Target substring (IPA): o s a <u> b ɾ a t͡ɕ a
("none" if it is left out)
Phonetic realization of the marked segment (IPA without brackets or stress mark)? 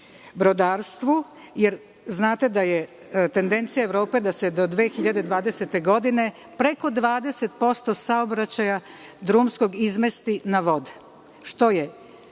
o